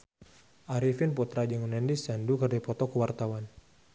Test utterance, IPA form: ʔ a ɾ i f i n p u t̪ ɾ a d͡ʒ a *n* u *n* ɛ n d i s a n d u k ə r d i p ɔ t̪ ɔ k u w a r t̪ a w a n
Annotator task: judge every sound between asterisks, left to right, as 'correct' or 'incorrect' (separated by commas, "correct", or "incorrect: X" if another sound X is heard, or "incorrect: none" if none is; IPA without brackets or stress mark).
incorrect: ŋ, correct